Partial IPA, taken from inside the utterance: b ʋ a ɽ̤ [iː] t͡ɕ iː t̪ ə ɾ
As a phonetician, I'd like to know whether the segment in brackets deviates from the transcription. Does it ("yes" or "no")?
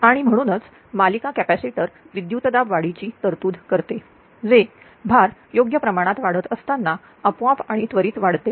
yes